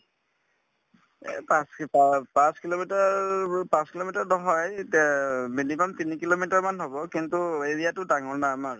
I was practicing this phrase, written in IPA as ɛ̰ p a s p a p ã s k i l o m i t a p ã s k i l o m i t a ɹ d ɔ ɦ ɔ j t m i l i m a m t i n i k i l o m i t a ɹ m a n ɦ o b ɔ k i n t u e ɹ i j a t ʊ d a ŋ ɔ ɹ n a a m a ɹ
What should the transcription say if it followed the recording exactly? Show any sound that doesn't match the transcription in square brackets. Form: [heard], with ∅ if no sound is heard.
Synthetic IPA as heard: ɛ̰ p a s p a p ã s k i l o m i t a p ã s k i l o m i t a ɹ d ɔ ɦ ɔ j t m i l i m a m t i n i k i l o m i t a ɹ m a n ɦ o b ɔ k i n t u e ɹ i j a t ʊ d a ŋ ɔ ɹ n a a m a ɹ